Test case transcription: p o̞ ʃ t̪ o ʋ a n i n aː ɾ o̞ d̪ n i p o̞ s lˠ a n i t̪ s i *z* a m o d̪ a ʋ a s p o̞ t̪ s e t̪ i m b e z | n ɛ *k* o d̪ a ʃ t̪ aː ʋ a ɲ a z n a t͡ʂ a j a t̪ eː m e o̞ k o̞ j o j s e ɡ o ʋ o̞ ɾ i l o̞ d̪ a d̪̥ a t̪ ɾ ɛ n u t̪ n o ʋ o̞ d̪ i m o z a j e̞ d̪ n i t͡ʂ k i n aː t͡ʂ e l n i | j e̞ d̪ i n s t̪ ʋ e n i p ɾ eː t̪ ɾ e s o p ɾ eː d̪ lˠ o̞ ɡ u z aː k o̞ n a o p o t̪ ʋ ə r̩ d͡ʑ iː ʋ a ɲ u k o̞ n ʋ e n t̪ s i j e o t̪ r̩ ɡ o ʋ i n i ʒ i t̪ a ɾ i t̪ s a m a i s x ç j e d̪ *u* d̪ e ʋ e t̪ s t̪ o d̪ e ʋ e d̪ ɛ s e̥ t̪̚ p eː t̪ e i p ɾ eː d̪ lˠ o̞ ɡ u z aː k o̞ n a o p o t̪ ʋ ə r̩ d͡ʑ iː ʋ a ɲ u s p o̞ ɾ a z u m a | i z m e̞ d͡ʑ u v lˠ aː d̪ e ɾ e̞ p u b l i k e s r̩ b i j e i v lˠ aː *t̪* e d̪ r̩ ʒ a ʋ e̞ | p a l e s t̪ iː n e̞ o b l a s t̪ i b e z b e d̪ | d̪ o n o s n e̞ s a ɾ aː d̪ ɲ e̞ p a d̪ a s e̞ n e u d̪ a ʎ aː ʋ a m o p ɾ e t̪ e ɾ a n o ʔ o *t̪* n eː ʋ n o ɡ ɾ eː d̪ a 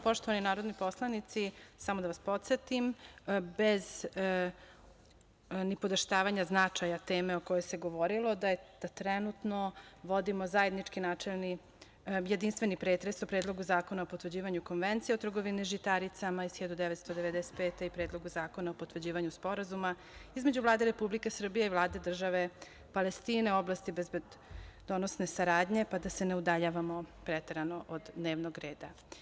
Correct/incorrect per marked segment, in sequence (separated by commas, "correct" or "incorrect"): incorrect, incorrect, correct, incorrect, incorrect